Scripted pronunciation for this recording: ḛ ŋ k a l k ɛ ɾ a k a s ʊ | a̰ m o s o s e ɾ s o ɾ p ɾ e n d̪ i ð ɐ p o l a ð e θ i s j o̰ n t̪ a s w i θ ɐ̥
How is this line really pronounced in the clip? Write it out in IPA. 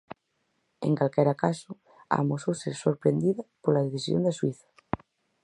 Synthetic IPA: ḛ ŋ k a l k ɛ ɾ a k a s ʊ | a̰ m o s o s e ɾ s o ɾ p ɾ e n d̪ i ð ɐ p o l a ð e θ i s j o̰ n d̪ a s w i θ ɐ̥